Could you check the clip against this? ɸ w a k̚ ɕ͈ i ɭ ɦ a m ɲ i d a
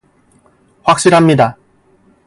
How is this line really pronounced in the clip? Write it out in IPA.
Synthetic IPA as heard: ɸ w a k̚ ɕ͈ i ɾ ɦ a m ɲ i d a

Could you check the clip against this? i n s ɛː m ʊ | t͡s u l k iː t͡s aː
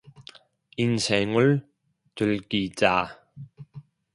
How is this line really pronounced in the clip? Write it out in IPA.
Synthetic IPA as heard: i n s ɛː ŋ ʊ | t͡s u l k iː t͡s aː

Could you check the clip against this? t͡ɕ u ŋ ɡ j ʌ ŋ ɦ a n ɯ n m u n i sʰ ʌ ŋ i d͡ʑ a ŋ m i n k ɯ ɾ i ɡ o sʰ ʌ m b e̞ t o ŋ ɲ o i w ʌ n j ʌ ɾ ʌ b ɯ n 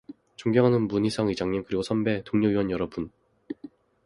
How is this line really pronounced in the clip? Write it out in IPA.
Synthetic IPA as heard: t͡ɕ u ŋ ɡ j ʌ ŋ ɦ a n ɯ n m u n i sʰ ʌ ŋ i d͡ʑ a ŋ ɲ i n k ɯ ɾ i ɡ o sʰ ʌ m b e̞ t o ŋ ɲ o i w ʌ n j ʌ ɾ ʌ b u n

